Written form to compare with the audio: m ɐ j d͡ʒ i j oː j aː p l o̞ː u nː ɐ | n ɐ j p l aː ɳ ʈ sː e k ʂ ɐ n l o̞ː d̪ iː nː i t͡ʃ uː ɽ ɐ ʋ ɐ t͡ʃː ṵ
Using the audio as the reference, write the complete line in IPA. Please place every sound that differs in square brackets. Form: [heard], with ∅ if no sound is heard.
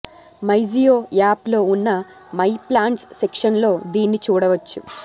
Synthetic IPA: m ɐ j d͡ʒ i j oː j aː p l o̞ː u nː ɐ | [m] ɐ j p l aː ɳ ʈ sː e k ʂ ɐ n l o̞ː d̪ iː nː i t͡ʃ uː ɽ ɐ ʋ ɐ t͡ʃː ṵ